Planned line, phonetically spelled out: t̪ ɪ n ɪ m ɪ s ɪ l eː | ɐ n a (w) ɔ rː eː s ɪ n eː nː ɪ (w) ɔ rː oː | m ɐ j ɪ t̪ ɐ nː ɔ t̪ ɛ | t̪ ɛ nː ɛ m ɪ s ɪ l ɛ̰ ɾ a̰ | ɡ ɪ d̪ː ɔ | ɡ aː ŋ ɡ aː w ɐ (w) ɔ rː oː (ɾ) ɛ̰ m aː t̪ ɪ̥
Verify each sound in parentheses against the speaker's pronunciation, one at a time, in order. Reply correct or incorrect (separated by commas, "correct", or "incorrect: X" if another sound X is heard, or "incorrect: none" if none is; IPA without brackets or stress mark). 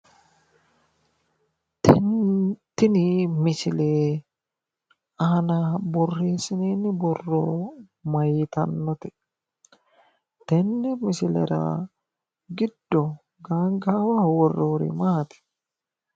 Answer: incorrect: b, incorrect: b, correct, correct